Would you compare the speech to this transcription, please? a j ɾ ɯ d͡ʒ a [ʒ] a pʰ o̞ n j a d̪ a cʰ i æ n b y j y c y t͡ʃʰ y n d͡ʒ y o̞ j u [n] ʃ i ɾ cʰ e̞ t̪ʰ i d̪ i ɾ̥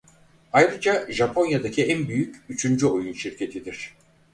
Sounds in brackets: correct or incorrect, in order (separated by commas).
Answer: correct, correct